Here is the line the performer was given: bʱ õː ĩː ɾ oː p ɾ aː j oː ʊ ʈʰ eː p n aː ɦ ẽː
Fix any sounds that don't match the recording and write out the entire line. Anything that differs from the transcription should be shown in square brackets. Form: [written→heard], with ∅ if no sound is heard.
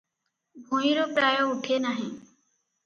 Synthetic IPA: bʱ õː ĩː ɾ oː p ɾ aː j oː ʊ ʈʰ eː [p→∅] n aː ɦ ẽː